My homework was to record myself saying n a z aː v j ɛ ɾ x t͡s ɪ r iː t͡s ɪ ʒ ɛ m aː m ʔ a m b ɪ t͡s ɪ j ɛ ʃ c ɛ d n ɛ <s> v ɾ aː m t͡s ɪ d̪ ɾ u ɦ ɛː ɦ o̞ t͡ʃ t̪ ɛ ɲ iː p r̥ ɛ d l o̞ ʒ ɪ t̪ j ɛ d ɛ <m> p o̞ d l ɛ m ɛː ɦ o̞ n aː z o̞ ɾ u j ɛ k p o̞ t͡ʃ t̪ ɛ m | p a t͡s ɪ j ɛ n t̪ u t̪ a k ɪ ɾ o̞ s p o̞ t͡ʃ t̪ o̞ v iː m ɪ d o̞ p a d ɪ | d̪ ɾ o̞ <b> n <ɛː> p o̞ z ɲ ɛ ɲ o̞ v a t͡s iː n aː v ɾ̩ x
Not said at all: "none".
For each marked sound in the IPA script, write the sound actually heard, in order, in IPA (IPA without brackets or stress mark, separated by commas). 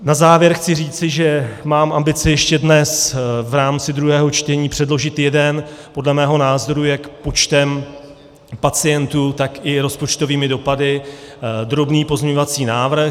s, n, b, iː